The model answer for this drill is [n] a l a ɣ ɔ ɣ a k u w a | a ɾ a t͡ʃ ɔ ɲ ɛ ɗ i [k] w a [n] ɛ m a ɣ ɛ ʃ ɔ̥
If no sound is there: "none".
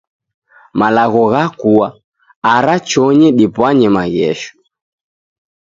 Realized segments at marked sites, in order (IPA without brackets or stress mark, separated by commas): m, p, ɲ